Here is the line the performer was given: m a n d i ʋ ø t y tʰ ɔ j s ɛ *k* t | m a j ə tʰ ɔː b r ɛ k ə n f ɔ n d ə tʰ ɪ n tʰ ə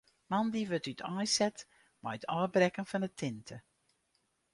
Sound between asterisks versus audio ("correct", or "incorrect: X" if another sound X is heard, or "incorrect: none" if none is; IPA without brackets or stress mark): incorrect: none